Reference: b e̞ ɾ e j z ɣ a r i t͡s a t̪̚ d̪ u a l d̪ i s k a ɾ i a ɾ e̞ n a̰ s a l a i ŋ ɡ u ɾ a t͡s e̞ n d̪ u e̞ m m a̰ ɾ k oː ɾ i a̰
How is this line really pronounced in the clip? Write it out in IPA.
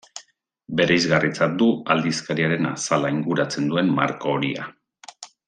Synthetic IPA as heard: b e̞ ɾ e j z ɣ a r i t͡s a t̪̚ d̪ u a l d̪ i s k a ɾ i a ɾ e̞ n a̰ s a l a i ŋ ɡ u ɾ a t͡s e̞ n d̪ u e̞ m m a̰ ɾ k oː ɾ i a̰